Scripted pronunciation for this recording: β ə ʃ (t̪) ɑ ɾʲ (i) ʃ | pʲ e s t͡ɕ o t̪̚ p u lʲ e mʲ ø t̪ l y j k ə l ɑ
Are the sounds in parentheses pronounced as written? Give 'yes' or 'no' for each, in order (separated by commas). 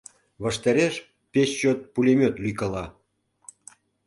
yes, no